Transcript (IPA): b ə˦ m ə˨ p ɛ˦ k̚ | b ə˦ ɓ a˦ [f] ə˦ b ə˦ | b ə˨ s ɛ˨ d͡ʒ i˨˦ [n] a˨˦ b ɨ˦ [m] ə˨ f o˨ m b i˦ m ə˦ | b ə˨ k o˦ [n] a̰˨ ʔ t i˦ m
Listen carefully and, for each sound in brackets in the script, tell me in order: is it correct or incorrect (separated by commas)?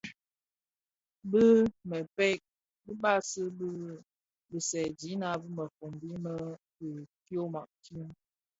incorrect, correct, correct, incorrect